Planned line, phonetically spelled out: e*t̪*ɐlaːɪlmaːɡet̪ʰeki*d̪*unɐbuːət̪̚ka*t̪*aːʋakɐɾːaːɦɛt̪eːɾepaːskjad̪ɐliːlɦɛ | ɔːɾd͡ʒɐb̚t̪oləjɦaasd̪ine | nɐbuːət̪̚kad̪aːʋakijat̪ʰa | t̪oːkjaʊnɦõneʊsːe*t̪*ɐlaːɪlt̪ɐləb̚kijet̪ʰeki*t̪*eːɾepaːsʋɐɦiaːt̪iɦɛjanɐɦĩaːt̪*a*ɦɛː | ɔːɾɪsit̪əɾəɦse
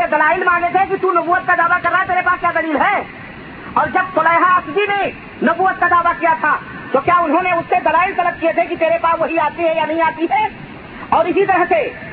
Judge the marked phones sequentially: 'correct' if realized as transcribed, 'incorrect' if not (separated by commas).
incorrect, incorrect, incorrect, incorrect, correct, incorrect